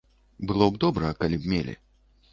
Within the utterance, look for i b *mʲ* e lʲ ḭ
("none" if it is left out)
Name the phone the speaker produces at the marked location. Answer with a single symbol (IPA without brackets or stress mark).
mʲ